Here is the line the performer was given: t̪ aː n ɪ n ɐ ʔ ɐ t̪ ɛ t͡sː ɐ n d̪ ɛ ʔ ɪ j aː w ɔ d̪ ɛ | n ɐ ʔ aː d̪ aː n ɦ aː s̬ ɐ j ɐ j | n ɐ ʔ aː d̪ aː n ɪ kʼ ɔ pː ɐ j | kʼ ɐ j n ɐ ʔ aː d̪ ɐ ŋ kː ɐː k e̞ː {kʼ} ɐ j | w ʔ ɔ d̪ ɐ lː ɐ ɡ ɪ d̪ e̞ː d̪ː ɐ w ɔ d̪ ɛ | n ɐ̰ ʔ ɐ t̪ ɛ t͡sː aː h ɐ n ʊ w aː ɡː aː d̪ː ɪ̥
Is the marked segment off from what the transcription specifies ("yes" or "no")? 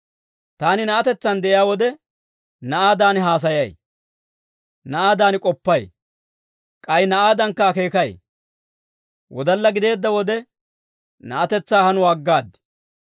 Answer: yes